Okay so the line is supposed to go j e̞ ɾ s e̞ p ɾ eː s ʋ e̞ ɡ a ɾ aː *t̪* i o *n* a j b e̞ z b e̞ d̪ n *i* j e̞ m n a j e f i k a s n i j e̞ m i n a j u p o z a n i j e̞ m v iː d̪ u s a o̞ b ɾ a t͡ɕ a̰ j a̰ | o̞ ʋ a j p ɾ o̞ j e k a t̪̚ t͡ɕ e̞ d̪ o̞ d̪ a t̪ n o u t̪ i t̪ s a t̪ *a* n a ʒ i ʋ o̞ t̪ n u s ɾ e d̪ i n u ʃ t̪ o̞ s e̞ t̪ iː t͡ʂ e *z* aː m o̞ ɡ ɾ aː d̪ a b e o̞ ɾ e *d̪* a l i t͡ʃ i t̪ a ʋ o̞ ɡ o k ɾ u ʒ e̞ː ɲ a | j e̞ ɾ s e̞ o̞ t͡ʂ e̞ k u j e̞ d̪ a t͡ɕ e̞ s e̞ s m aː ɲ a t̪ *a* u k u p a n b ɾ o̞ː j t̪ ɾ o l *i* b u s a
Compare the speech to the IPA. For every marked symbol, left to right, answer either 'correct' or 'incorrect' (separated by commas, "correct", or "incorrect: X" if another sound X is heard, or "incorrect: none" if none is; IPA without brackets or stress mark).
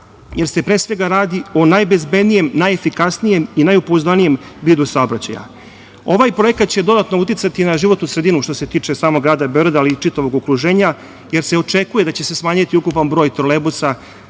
incorrect: d̪, correct, correct, incorrect: i, incorrect: s, correct, incorrect: i, incorrect: e